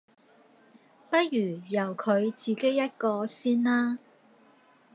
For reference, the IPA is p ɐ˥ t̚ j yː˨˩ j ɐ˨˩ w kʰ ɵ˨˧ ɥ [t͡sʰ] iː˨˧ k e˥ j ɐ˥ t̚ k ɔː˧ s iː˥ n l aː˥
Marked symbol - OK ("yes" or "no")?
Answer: no